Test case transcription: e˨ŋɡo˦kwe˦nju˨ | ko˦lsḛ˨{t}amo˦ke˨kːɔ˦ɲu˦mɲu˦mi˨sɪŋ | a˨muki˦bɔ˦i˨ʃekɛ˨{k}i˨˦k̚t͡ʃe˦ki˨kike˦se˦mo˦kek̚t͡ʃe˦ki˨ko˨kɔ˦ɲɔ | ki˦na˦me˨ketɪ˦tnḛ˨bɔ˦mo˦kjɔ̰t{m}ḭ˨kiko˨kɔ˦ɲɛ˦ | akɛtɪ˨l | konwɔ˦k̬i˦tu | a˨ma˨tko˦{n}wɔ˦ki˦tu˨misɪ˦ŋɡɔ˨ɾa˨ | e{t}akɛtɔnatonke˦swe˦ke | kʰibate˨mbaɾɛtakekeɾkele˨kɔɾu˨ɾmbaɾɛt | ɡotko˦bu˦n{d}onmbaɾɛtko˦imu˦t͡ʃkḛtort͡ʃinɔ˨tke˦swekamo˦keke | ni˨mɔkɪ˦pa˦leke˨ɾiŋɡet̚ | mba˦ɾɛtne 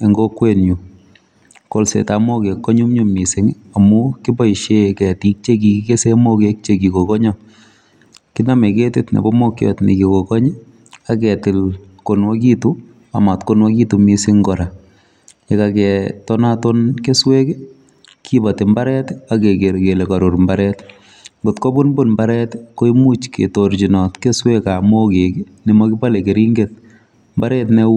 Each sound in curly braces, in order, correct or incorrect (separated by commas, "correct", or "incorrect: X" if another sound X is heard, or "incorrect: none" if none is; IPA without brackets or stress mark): correct, incorrect: t, incorrect: n, correct, incorrect: k, incorrect: b